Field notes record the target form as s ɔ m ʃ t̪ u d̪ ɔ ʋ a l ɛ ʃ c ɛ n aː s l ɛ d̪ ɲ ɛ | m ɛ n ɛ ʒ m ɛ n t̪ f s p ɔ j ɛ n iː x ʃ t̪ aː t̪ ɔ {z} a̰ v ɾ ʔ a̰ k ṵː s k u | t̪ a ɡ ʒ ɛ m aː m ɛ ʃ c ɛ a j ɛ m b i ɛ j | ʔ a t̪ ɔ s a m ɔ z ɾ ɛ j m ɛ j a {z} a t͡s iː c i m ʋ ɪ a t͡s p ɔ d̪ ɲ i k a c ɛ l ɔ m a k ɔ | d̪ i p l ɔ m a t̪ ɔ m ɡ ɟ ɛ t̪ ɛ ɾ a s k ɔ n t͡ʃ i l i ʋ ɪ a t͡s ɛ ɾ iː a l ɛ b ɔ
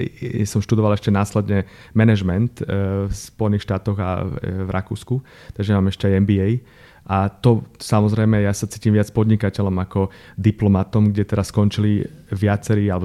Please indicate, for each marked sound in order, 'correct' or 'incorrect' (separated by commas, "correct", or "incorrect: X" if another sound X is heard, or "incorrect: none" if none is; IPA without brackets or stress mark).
incorrect: ɣ, incorrect: s